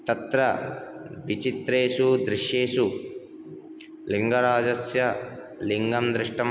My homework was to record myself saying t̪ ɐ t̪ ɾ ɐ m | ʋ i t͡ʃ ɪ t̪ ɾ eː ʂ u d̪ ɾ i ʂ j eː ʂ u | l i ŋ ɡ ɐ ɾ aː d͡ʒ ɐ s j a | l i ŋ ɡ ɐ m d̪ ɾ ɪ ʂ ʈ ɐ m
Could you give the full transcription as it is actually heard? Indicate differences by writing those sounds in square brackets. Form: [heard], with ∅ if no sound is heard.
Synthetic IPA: t̪ ɐ t̪ ɾ ɐ [∅] | ʋ i t͡ʃ [i] t̪ ɾ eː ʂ u d̪ ɾ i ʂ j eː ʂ u | l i ŋ ɡ ɐ ɾ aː d͡ʒ ɐ s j [ɐ] | l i ŋ ɡ ɐ m d̪ ɾ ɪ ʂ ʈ ɐ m